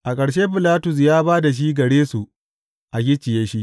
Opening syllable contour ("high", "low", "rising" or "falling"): low